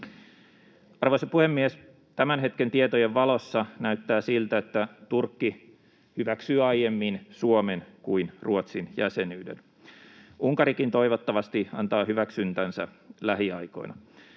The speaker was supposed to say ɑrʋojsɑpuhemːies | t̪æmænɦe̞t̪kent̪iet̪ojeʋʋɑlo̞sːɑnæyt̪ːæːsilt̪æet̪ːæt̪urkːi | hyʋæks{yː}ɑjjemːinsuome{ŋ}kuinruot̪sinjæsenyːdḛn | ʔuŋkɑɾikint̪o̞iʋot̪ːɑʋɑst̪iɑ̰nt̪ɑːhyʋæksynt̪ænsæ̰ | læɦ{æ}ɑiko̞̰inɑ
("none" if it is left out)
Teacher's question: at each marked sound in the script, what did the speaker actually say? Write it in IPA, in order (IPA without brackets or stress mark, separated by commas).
yː, n, i